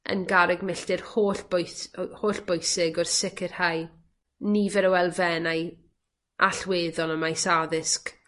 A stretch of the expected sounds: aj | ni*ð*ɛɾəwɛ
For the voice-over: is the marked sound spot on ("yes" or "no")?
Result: no